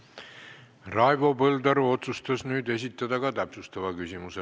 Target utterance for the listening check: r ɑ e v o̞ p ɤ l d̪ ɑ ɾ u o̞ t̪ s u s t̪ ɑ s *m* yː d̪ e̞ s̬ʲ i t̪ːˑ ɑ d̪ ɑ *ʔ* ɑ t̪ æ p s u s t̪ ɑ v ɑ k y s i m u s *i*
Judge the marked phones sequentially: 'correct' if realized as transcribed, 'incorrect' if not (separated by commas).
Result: incorrect, incorrect, incorrect